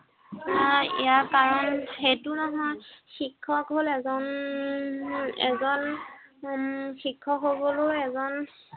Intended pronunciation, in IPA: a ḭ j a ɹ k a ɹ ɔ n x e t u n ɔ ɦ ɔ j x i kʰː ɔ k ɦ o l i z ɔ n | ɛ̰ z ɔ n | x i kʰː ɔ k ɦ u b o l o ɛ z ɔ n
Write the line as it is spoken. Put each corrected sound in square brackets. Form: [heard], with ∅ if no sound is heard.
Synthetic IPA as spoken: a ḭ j a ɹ k a ɹ ɔ n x e t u n ɔ ɦ ɔ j x i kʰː ɔ k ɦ o l [ɛ] z ɔ n | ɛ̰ z ɔ n | x i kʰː ɔ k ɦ [o] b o l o ɛ z ɔ n